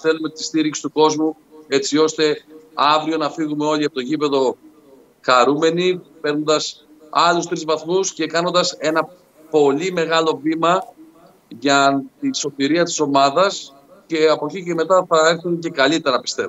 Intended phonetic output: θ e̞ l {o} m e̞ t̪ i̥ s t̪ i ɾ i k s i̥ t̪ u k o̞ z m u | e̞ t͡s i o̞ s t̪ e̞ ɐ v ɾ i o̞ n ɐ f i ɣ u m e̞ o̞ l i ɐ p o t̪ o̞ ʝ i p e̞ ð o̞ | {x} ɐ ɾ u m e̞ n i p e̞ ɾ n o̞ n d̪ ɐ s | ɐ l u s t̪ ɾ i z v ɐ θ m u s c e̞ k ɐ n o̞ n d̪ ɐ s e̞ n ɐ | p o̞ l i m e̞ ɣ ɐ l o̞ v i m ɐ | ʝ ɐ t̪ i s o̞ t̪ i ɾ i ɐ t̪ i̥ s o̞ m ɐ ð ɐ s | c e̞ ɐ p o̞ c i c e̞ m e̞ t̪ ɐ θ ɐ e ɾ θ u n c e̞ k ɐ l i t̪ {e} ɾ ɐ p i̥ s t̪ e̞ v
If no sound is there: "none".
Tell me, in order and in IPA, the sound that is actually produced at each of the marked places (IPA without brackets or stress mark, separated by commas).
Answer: u, x, e